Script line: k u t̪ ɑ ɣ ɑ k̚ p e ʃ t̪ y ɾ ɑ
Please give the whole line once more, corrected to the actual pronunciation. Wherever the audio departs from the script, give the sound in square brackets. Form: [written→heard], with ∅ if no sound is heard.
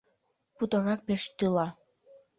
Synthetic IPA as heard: [k→p] u t̪ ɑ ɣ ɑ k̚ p e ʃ t̪ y [ɾ→l] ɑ